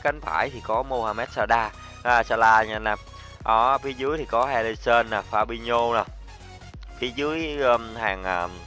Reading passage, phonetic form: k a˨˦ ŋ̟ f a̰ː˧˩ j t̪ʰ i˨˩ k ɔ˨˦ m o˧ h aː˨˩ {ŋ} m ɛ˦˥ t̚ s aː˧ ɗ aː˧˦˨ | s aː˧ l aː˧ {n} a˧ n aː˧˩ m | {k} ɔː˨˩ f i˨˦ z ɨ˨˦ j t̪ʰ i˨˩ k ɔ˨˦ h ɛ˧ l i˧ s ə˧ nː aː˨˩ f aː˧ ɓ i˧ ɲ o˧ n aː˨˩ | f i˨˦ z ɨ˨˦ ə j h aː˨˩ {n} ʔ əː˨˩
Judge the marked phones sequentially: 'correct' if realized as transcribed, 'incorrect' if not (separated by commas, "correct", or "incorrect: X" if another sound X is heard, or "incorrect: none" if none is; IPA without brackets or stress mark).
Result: incorrect: none, incorrect: ɲ, incorrect: ʔ, incorrect: ŋ